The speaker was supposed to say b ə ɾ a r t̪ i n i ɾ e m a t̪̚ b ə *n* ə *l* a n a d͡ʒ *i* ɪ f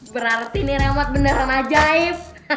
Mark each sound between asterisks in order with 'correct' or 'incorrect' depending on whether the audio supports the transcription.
correct, incorrect: ɾ, incorrect: a

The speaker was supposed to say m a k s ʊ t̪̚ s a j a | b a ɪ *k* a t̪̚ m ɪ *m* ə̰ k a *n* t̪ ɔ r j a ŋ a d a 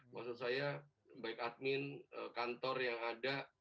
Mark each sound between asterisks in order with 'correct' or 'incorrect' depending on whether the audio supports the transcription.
correct, incorrect: n, correct

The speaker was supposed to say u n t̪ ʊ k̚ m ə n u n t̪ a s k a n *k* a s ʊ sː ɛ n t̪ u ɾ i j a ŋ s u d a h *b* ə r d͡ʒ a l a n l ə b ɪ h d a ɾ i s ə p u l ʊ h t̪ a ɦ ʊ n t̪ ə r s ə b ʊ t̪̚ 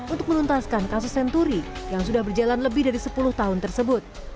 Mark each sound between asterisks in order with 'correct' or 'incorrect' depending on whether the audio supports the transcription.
correct, correct

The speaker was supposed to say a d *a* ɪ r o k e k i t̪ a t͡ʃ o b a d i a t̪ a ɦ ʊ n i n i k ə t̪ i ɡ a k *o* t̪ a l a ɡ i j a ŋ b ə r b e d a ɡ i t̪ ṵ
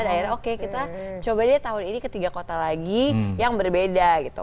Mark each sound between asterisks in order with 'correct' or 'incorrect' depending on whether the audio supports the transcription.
correct, correct

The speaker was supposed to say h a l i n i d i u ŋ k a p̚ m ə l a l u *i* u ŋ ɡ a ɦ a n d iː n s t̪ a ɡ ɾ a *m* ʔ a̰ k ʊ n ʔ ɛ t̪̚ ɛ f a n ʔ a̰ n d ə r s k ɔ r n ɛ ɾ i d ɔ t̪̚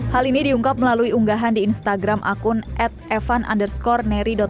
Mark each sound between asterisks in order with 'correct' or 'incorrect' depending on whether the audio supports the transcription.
correct, correct

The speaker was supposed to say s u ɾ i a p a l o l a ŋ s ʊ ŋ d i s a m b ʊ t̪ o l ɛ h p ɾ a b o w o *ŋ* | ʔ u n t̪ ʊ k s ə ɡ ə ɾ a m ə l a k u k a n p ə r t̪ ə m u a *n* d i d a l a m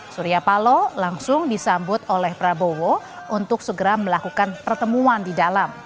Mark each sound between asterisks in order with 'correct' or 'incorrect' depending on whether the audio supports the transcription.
incorrect: none, correct

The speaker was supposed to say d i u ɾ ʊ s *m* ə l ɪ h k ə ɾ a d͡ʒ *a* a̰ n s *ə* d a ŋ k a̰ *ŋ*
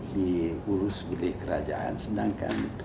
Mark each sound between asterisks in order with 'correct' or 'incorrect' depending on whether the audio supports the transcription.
incorrect: b, correct, correct, incorrect: n

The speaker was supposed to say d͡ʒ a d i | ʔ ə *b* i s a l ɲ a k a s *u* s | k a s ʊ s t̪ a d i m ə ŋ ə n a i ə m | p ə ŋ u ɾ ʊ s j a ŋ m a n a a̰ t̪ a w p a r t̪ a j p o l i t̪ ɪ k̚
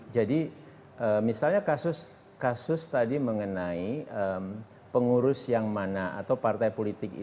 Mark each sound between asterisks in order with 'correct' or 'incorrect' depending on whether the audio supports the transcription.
incorrect: m, incorrect: ʊ

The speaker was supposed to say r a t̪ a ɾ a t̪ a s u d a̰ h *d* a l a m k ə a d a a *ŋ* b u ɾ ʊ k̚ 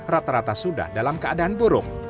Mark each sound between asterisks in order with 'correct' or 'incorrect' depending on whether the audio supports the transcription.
correct, incorrect: n

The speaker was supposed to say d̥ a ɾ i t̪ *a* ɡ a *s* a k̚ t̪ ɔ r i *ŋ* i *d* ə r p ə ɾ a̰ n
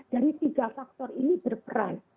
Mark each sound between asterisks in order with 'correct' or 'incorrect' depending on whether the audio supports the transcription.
incorrect: i, incorrect: f, incorrect: n, incorrect: b

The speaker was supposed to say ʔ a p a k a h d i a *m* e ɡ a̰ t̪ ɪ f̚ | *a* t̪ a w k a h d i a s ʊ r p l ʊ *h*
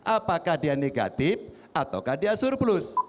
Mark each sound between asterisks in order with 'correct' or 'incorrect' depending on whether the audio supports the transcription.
incorrect: n, correct, incorrect: s

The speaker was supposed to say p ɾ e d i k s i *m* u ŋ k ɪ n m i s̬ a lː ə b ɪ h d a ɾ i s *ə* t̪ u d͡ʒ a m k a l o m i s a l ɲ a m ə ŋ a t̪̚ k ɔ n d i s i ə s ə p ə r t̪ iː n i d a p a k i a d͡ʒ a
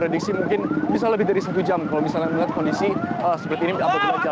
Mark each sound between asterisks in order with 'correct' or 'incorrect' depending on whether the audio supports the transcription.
correct, incorrect: a

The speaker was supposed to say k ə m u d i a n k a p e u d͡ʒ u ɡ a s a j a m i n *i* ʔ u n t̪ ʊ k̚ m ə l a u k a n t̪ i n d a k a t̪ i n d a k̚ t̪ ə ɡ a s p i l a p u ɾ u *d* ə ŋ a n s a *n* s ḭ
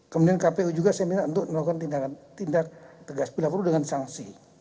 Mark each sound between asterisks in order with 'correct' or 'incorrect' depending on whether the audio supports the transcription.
incorrect: a, correct, incorrect: ŋ

